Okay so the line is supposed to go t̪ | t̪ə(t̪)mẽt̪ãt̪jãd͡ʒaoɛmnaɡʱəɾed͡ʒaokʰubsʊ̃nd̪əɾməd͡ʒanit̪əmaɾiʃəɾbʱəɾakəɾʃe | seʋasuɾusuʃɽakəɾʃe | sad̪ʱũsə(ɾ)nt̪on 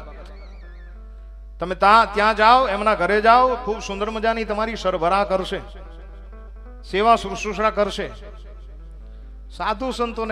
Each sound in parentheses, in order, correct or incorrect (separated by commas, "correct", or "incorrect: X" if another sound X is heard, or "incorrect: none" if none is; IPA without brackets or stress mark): incorrect: none, incorrect: none